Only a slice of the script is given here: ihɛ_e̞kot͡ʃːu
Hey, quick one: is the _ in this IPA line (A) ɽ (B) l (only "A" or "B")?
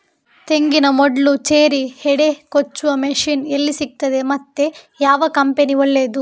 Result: A